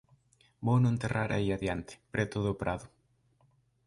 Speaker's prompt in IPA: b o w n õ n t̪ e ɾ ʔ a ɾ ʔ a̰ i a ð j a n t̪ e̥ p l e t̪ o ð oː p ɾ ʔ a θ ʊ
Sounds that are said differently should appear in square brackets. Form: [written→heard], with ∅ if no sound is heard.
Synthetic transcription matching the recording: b o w n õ n t̪ e [ɾ→r] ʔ a ɾ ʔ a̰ i a ð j a n t̪ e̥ p [l→ɾ] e t̪ o ð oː p ɾ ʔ a [θ→ð] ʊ